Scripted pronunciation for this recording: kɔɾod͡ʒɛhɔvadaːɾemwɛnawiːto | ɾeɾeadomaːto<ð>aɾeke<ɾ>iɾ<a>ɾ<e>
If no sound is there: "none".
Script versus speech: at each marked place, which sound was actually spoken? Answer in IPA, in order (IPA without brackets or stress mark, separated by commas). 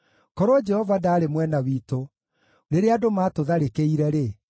ð, none, ɛ, e